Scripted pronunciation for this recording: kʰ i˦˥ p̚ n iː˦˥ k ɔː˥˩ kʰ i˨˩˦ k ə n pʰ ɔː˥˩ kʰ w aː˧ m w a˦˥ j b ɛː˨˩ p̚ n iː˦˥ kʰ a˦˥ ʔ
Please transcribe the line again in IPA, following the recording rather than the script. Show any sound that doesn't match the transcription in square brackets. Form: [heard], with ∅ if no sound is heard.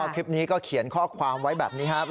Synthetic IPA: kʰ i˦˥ p̚ n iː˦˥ k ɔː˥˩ kʰ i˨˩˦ [∅] ə n [kʰ] ɔː˥˩ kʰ w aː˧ m w a˦˥ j b ɛː˨˩ p̚ n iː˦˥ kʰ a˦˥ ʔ